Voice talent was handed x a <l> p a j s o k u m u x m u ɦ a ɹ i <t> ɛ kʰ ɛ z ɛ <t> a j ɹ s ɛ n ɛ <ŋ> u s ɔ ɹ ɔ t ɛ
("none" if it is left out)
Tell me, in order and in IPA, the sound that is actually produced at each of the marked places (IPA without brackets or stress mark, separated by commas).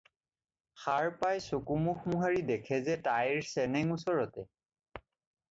ɹ, d, t, ŋ